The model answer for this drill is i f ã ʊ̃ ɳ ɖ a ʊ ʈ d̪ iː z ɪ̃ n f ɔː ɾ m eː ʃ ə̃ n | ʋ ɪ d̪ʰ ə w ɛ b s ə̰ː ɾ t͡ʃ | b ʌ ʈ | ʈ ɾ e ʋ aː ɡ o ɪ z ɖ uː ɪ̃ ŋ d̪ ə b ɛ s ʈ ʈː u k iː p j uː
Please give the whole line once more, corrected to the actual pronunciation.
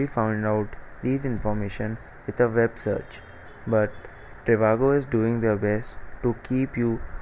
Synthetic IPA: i f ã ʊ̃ ɳ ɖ a ʊ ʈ d̪ iː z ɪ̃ n f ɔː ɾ m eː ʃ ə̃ n | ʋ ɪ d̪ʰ ə ʋ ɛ b s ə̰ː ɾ t͡ʃ | b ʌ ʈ | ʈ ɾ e ʋ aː ɡ o ɪ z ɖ uː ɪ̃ ŋ d̪ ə b ɛ s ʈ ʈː u k iː p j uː